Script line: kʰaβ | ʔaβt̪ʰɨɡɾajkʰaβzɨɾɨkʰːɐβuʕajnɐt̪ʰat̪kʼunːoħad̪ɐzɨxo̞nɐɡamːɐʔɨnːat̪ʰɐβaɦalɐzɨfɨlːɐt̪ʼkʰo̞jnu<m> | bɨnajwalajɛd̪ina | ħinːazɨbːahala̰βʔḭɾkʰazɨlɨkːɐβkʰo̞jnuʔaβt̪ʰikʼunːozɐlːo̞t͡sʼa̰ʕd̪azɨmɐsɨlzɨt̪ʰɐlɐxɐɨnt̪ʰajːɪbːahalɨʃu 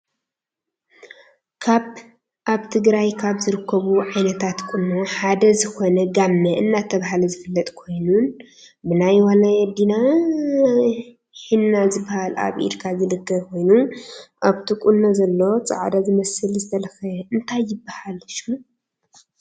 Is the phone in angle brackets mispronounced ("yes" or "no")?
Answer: yes